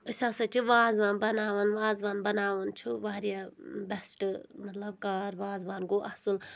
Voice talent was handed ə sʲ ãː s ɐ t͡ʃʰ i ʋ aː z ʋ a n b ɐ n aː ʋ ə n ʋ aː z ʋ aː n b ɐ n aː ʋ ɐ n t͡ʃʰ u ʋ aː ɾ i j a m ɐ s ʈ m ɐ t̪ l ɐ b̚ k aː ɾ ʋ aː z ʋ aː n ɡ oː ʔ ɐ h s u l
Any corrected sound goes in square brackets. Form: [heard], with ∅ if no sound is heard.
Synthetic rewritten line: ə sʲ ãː s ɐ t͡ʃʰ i ʋ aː z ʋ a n b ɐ n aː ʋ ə n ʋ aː z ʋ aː n b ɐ n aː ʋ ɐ n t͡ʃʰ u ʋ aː ɾ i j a [b] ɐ s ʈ m ɐ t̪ l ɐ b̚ k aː ɾ ʋ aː z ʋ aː n ɡ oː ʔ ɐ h s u l